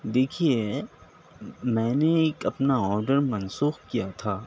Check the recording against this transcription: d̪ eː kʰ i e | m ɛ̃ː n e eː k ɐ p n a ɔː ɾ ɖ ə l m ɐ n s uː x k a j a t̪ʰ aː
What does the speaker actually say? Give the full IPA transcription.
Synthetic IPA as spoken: d̪ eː kʰ i e | m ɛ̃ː n e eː k ɐ p n a ɔː ɾ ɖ ə ɾ m ɐ n s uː x k i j a t̪ʰ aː